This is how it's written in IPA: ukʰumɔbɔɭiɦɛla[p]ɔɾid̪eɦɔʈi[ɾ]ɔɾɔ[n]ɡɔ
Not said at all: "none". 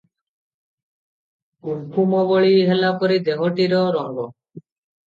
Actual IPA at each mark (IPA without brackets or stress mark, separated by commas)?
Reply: p, ɾ, ŋ